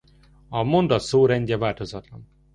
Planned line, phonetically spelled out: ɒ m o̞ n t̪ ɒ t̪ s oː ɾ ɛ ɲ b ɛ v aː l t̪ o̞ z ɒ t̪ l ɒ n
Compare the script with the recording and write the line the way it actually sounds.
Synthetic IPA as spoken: ɒ m o̞ n d̪ ɒ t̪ s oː ɾ ɛ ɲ ɟ ɛ v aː l t̪ o̞ z ɒ t̪ l ɒ n

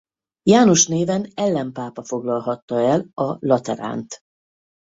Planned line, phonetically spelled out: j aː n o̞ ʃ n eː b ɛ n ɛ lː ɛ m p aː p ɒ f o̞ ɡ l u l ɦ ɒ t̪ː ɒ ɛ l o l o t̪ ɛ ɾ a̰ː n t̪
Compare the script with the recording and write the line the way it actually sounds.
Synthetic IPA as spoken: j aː n o̞ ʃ n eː v ɛ n ɛ lː ɛ m p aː p ɒ f o̞ ɡ l ɒ l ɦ ɒ t̪ː ɒ ɛ l ɒ l ɒ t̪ ɛ ɾ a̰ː n t̪

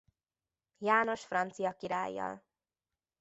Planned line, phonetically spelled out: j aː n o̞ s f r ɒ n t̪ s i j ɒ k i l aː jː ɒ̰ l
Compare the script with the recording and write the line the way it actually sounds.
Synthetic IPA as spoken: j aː n o̞ ʃ f r ɒ n t̪ s i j ɒ k i ɾ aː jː ɒ̰ l

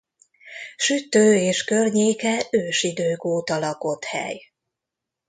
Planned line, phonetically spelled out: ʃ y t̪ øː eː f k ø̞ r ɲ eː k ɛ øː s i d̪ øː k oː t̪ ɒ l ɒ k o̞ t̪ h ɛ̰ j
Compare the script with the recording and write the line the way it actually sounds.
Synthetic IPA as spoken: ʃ y t̪ øː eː ʃ k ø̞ r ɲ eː k ɛ øː ʃ i d̪ øː k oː t̪ ɒ l ɒ k o̞ t̪ h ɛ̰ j

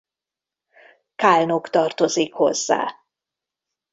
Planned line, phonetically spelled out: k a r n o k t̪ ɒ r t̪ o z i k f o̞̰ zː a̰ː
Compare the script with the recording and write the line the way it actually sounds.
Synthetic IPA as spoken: k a l n o k t̪ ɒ r t̪ o z i k h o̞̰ zː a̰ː

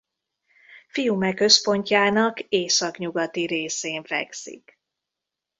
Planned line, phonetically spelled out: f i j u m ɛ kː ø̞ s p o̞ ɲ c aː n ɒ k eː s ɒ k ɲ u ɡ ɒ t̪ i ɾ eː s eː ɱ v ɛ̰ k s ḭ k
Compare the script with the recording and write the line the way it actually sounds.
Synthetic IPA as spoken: f i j u m ɛ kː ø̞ s p o̞ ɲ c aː n ɒ k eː s ɒ k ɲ u ɡ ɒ t̪ i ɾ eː s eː ɱ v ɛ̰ k s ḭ k

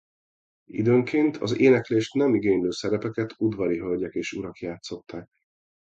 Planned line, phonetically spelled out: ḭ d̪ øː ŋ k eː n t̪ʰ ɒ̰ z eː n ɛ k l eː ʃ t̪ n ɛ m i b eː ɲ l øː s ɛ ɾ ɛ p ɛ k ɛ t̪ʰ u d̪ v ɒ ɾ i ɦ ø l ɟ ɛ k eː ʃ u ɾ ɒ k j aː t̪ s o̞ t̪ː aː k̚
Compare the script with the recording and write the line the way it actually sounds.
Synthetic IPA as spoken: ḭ d̪ øː ŋ k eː n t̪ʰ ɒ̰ z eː n ɛ k l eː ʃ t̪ n ɛ m i ɡ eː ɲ l øː s ɛ ɾ ɛ p ɛ k ɛ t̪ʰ u d̪ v ɒ ɾ i ɦ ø l ɟ ɛ k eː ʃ u ɾ ɒ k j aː t̪ s o̞ t̪ː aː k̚

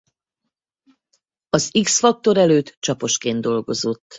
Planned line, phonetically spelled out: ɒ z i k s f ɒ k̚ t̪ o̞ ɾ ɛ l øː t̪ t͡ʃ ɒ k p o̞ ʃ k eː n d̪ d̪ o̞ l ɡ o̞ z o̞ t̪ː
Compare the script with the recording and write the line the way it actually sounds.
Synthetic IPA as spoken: ɒ z i k s f ɒ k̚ t̪ o̞ ɾ ɛ l øː t̪ t͡ʃ ɒ p o̞ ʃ k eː n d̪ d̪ o̞ l ɡ o̞ z o̞ t̪ː

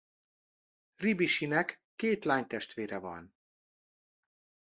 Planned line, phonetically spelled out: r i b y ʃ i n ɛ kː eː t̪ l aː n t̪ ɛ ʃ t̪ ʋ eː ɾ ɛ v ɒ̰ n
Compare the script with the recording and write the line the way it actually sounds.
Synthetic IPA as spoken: r i b i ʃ i n ɛ kː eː t̪ l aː ɲ t̪ ɛ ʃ t̪ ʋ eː ɾ ɛ v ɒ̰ n

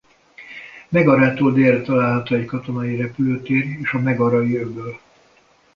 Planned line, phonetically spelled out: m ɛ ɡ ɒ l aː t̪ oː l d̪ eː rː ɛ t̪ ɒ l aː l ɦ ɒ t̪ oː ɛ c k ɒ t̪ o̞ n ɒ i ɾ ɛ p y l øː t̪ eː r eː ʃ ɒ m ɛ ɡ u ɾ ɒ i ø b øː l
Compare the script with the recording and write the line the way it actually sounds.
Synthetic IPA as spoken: m ɛ ɡ ɒ ɾ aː t̪ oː l d̪ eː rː ɛ t̪ ɒ l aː l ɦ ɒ t̪ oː ɛ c k ɒ t̪ o̞ n ɒ i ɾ ɛ p y l øː t̪ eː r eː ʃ ɒ m ɛ ɡ ɒ ɾ ɒ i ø b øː l

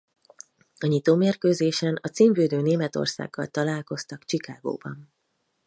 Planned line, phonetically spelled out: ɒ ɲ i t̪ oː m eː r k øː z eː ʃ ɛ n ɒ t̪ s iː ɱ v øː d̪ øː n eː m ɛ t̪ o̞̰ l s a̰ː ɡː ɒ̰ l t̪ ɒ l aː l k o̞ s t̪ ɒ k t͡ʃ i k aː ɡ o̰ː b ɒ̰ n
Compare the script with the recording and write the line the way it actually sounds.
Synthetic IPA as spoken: ɒ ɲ i t̪ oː m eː r k øː z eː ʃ ɛ n ɒ t̪ s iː ɱ v øː d̪ øː n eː m ɛ t̪ o̞̰ r s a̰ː ɡː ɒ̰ l t̪ ɒ l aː l k o̞ s t̪ ɒ k t͡ʃ i k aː ɡ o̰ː b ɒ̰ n

